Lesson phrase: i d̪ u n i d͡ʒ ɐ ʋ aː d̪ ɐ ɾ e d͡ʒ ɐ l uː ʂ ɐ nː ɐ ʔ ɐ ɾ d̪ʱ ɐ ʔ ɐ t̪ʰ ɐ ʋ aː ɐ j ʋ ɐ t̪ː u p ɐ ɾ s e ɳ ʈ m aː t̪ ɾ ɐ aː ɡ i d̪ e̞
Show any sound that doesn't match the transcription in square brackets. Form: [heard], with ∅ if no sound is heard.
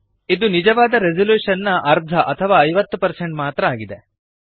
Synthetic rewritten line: i d̪ u n i d͡ʒ ɐ ʋ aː d̪ ɐ ɾ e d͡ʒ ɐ l uː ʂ ɐ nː ɐ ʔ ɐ ɾ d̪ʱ ɐ ʔ ɐ t̪ʰ ɐ ʋ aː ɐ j ʋ ɐ t̪ː u p ɐ ɾ s e ɳ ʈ m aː t̪ ɾ ɐ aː ɡ i d̪ e̞